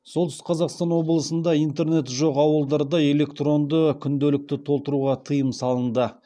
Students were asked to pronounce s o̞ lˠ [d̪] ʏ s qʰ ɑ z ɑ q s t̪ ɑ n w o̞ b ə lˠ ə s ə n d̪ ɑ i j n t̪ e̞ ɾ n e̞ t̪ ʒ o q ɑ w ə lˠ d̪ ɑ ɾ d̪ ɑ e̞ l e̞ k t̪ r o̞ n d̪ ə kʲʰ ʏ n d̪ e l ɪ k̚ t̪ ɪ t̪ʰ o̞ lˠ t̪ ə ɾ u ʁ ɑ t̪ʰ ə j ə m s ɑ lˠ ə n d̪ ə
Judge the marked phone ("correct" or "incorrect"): incorrect